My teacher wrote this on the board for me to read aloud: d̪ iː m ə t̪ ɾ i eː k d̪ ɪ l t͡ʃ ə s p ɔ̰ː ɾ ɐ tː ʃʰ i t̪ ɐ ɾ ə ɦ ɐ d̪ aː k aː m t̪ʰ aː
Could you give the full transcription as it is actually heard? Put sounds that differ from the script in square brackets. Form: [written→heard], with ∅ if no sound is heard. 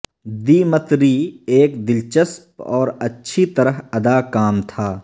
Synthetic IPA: d̪ iː m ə t̪ ɾ i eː k d̪ ɪ l t͡ʃ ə s p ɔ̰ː ɾ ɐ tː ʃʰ i t̪ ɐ ɾ ə ɦ ɐ d̪ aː k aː m t̪ʰ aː